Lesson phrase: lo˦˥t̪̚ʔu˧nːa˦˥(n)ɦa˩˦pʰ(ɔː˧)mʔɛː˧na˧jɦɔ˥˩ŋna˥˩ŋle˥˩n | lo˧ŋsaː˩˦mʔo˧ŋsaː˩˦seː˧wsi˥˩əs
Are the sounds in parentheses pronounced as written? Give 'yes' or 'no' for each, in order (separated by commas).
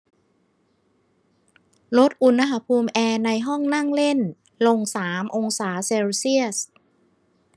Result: no, no